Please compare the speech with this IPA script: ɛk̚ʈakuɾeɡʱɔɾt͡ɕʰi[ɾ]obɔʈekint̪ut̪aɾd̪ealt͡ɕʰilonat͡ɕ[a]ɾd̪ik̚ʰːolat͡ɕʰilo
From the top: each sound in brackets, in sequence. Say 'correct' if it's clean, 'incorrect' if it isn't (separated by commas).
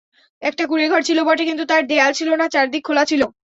incorrect, correct